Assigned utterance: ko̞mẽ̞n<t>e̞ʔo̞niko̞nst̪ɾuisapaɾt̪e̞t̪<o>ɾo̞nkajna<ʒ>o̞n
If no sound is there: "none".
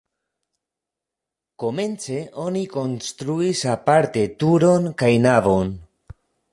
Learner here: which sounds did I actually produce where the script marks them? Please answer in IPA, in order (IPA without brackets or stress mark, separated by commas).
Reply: t͡s, u, v